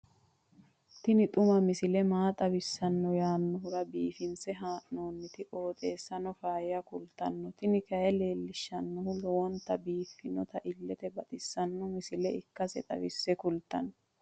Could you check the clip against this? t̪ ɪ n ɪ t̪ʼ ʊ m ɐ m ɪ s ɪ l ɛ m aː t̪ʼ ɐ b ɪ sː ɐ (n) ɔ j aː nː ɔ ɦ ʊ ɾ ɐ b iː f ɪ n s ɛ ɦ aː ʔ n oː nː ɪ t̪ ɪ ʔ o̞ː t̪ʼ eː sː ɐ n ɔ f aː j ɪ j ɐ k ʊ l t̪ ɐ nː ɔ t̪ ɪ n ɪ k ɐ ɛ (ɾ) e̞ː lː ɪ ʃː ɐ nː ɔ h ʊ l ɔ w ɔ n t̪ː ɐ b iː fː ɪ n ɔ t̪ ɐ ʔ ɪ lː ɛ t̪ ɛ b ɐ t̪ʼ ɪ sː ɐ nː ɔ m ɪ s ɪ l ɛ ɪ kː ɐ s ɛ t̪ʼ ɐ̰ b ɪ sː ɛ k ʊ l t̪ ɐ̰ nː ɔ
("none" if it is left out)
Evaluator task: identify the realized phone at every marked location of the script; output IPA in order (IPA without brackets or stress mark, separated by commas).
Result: nː, l